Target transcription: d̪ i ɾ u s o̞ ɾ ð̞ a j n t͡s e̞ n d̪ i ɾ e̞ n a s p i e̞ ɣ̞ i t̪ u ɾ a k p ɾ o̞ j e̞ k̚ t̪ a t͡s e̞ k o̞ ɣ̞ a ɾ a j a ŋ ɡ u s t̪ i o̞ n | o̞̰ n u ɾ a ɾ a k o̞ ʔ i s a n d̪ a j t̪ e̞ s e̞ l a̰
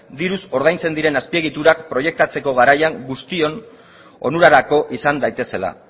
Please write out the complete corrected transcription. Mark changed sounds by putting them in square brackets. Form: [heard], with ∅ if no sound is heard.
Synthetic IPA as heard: d̪ i ɾ u s o̞ ɾ ð̞ a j n t͡s e̞ n d̪ i ɾ e̞ n a s p i e̞ ɣ̞ i t̪ u ɾ a k p ɾ o̞ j e̞ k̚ t̪ a t͡s e̞ k o̞ ɣ̞ a ɾ a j a ŋ ɡ u s t̪ i o̞ n | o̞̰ n u ɾ a ɾ a k o̞ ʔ i s a n d̪ a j t̪ e̞ s e̞ l a̰